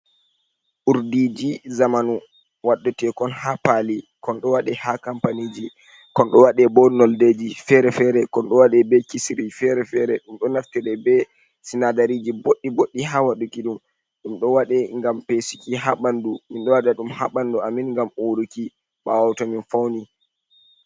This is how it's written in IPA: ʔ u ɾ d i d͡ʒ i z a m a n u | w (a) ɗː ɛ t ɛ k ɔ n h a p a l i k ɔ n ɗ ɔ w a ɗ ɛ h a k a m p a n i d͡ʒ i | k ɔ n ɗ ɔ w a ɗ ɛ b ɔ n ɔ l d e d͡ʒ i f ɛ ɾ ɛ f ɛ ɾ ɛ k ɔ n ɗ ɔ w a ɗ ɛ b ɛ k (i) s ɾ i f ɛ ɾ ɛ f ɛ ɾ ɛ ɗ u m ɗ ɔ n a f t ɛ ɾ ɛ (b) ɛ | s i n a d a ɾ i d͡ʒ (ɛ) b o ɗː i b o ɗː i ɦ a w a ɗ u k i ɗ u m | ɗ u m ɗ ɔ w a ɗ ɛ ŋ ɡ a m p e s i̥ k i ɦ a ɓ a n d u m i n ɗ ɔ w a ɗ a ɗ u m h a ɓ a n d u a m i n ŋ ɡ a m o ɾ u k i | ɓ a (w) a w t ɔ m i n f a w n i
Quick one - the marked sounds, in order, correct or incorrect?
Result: correct, correct, correct, incorrect, correct

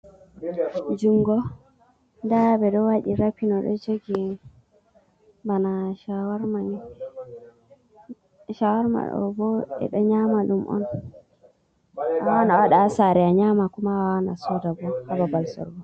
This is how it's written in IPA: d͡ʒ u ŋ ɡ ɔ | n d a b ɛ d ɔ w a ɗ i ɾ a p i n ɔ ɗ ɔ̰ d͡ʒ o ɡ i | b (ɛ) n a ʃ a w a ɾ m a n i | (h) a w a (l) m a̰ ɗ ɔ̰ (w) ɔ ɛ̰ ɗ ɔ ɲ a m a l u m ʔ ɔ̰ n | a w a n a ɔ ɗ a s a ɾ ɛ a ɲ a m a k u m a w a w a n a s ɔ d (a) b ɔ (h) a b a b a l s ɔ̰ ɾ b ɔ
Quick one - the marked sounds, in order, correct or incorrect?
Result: incorrect, incorrect, incorrect, incorrect, correct, correct

